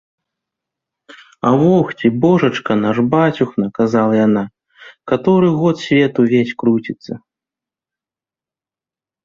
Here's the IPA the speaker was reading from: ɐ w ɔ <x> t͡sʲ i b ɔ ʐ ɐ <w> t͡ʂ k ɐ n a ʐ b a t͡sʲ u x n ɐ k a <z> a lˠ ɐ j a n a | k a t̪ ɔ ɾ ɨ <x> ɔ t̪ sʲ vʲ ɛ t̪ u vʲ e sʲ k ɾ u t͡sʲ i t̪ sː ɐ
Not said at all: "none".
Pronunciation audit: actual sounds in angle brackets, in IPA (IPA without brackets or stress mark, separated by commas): x, none, z, ɣ